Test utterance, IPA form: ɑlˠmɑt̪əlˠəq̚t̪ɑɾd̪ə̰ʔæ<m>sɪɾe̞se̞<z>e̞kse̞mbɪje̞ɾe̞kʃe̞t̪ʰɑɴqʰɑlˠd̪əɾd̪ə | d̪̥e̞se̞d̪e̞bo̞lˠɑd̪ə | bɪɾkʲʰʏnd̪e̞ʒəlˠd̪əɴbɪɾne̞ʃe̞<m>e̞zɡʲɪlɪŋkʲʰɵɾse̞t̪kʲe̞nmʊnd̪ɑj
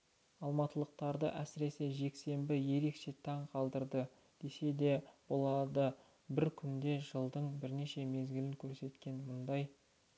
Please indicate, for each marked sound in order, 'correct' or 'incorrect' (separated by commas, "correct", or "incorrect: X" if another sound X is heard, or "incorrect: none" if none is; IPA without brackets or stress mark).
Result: incorrect: none, incorrect: ʒ, correct